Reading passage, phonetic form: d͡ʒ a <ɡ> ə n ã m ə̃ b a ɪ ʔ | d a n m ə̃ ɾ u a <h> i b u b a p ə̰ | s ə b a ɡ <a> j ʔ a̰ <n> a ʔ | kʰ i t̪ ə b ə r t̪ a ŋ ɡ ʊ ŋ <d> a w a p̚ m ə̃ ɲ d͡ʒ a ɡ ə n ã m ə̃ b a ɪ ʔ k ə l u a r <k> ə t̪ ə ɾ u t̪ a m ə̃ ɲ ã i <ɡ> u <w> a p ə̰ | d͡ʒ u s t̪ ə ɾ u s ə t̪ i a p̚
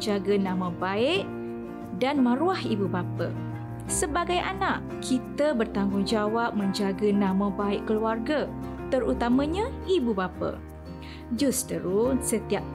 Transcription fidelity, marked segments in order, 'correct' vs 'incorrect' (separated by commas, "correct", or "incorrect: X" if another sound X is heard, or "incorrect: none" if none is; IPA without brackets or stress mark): correct, correct, correct, correct, incorrect: d͡ʒ, incorrect: ɡ, incorrect: b, incorrect: b